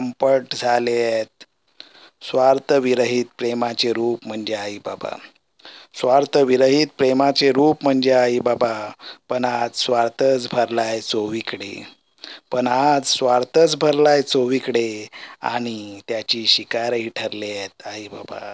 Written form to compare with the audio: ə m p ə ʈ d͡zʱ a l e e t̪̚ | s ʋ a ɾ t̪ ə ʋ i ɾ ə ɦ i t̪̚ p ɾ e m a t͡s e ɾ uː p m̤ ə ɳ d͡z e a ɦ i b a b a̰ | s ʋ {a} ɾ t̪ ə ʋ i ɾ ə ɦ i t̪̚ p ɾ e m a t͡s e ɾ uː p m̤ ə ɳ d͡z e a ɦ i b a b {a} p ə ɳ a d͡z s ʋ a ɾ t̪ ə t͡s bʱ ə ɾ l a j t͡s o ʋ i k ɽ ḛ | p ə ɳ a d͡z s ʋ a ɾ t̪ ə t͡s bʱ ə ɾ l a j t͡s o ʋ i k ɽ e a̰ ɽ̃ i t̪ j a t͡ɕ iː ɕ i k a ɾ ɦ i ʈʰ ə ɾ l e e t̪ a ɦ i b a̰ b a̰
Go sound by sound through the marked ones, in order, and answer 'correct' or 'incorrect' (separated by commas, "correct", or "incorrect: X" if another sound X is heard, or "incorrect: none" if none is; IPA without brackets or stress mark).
correct, correct